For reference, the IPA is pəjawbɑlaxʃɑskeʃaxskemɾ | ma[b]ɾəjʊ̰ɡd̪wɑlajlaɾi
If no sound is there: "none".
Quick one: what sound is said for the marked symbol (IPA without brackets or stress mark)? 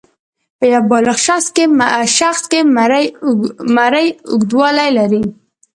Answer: none